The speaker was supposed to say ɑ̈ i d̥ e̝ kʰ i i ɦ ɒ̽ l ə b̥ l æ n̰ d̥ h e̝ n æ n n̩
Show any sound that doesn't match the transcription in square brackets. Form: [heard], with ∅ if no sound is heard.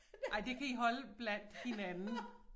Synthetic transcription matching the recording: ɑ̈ [ɪ] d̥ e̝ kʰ [æ] i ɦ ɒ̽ l ə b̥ l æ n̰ d̥ h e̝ n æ n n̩